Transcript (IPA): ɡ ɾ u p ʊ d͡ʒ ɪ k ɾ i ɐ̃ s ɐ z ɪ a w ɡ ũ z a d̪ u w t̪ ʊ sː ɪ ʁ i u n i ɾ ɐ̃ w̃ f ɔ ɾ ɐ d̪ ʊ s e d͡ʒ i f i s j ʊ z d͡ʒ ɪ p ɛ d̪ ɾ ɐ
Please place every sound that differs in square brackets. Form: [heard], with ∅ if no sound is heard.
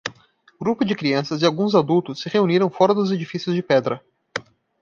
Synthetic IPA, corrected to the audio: ɡ ɾ u p ʊ d͡ʒ ɪ k ɾ i ɐ̃ s ɐ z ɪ a w ɡ ũ z a d̪ u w t̪ ʊ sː ɪ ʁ [e] u n i ɾ ɐ̃ w̃ f ɔ ɾ ɐ d̪ ʊ [z] e d͡ʒ i f i s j ʊ z d͡ʒ ɪ p ɛ d̪ ɾ ɐ